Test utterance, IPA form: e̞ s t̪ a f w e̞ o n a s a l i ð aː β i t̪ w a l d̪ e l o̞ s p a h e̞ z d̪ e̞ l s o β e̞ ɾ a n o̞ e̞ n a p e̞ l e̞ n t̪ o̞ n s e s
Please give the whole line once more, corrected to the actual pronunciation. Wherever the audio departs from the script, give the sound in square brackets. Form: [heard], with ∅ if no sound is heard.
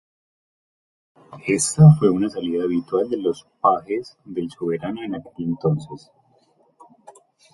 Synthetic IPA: e̞ s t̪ a f w e̞ [u] n a s a l i ð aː β i t̪ w a l d̪ e l o̞ s p a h e̞ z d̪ e̞ l s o β e̞ ɾ a n o̞ e̞ n a [k] e̞ l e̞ n t̪ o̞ n s e s